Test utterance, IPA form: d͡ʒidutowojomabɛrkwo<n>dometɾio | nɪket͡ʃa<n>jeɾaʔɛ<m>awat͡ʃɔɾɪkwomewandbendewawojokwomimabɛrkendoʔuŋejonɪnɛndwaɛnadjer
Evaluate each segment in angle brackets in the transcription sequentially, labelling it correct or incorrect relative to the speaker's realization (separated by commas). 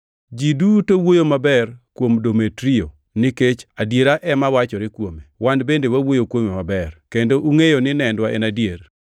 incorrect, incorrect, correct